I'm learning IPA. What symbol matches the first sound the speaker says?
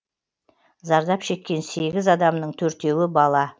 z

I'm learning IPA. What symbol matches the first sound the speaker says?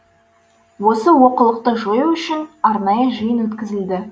w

